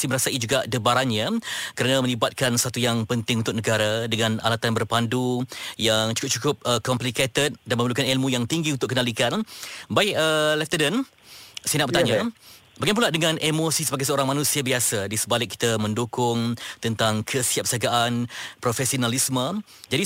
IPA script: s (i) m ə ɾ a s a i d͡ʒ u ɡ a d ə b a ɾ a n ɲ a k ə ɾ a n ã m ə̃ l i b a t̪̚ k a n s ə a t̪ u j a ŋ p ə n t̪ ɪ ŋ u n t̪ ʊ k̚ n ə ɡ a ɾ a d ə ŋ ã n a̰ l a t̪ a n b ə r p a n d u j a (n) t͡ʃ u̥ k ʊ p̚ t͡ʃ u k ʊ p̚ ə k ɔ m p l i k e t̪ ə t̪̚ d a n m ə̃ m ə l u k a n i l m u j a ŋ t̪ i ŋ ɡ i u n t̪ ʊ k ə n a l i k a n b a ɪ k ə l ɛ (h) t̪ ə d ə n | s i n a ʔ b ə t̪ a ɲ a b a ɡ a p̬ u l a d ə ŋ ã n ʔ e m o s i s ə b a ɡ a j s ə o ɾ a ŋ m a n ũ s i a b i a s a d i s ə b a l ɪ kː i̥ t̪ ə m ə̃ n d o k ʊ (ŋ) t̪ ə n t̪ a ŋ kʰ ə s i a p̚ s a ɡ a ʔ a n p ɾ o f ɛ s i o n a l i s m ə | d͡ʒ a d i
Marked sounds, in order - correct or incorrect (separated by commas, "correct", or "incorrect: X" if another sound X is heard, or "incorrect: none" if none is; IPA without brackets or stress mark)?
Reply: correct, incorrect: ŋ, incorrect: f, correct